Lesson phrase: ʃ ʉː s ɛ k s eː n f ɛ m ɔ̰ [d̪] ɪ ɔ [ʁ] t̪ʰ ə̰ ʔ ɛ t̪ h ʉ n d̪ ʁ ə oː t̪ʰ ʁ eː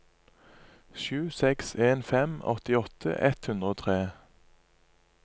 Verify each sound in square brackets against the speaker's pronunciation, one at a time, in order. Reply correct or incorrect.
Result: incorrect: t̪, incorrect: none

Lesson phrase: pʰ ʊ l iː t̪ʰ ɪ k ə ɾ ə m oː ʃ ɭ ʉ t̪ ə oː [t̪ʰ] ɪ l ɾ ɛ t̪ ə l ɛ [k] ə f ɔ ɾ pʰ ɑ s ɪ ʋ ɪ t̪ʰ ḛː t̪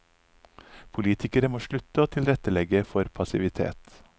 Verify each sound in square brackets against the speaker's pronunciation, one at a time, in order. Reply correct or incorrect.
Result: correct, incorrect: ɡ

